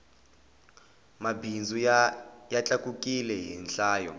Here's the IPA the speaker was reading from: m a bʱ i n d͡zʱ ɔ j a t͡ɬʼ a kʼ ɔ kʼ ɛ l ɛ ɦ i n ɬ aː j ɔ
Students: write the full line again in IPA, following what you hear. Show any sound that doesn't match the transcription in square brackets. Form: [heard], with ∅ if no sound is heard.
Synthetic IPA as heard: m a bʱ i n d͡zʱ [u] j a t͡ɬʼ a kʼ [u] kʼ [i] l ɛ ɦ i n ɬ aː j ɔ